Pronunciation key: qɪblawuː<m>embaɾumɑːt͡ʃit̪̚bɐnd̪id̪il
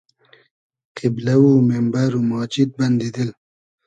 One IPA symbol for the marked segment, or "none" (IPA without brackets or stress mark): m